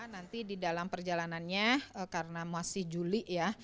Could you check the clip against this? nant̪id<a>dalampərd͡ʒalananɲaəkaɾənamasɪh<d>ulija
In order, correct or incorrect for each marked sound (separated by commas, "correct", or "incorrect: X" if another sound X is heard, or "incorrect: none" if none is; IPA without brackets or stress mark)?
incorrect: i, incorrect: d͡ʒ